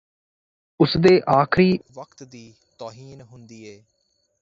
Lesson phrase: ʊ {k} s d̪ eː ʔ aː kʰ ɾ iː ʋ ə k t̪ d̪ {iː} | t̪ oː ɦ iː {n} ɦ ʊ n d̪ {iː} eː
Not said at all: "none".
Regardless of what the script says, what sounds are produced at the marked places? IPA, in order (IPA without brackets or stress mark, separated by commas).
none, iː, n, iː